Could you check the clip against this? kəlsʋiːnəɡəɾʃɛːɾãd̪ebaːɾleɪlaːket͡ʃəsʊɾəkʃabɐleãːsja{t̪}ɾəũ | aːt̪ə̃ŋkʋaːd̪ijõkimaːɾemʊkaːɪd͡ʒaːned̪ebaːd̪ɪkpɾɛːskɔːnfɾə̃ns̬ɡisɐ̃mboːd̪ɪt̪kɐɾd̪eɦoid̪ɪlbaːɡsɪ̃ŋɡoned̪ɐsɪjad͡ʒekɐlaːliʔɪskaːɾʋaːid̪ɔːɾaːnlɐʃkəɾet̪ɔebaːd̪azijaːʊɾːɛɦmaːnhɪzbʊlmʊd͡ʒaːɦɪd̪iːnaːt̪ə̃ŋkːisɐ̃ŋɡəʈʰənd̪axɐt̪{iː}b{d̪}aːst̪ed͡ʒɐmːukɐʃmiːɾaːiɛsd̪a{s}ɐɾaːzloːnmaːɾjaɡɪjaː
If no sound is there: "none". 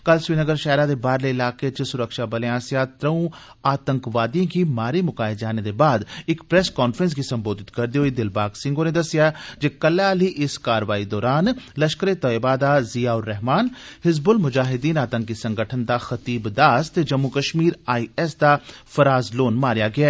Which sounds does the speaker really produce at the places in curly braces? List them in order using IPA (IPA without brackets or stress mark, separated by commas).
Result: t̪, iː, d̪, f